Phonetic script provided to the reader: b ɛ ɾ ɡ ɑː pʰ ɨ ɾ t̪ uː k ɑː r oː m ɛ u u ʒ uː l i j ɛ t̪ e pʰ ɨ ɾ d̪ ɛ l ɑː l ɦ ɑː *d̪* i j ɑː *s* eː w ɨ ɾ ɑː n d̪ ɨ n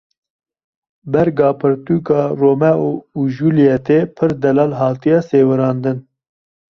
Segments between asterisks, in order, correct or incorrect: incorrect: t̪, correct

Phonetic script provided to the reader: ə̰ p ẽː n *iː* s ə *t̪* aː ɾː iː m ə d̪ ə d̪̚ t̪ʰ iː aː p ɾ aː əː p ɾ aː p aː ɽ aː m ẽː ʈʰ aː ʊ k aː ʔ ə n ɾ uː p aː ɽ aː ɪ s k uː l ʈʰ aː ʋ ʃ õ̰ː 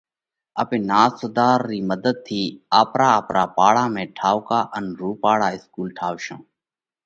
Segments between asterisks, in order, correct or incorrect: incorrect: aː, incorrect: d̪

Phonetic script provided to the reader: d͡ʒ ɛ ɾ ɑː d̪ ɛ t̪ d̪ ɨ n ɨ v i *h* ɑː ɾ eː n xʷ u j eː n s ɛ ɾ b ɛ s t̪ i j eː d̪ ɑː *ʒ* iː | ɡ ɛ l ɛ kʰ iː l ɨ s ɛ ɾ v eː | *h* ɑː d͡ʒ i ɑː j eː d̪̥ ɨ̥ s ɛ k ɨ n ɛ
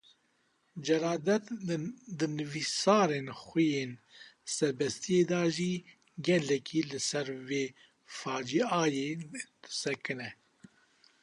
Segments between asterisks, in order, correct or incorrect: incorrect: s, correct, incorrect: f

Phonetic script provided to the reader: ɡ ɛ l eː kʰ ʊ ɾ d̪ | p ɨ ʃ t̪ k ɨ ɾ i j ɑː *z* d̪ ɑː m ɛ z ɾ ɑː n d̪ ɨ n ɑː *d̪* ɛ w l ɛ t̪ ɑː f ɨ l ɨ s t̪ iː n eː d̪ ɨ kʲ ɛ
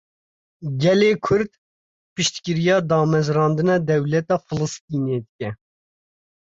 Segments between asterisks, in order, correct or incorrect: incorrect: none, correct

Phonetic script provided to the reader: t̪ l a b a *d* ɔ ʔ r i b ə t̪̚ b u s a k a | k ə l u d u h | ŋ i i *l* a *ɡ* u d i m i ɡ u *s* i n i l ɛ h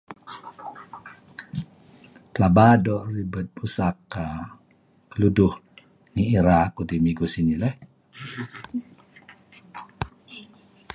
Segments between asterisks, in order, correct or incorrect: correct, incorrect: ɾ, incorrect: k, correct

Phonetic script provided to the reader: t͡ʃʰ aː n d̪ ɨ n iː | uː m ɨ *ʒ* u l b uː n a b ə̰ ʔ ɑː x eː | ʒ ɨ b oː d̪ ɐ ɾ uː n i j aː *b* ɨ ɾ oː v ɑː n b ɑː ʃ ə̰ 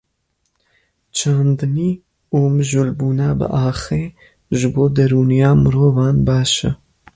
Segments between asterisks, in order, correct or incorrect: correct, incorrect: m

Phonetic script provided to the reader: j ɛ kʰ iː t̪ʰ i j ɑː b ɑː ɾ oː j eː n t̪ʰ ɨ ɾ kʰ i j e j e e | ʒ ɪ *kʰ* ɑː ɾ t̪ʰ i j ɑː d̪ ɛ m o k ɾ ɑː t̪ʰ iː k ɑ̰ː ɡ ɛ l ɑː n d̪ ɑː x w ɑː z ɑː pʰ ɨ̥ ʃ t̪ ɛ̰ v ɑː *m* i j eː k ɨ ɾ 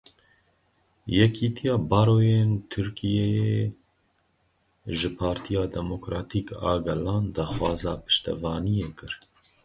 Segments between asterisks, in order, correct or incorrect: incorrect: pʰ, incorrect: n

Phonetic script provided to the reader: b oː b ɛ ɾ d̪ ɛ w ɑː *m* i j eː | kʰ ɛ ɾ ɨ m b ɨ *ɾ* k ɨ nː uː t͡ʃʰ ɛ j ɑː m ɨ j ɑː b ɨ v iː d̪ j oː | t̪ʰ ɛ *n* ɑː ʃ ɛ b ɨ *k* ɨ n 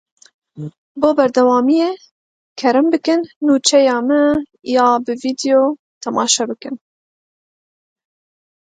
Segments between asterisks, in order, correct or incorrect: correct, incorrect: none, incorrect: m, correct

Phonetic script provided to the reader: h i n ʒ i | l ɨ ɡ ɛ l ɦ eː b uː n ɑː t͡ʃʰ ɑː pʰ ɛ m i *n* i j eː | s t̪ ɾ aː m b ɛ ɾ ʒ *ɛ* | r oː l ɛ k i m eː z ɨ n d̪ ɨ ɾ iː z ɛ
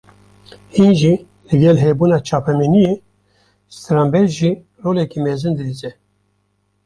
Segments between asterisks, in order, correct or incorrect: correct, incorrect: i

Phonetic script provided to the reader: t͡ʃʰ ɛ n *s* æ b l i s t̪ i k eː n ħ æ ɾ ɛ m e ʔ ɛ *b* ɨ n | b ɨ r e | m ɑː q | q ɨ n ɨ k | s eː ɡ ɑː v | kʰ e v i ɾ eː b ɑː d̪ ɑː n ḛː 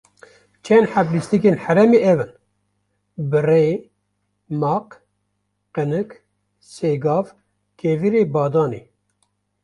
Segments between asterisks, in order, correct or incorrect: incorrect: ħ, incorrect: v

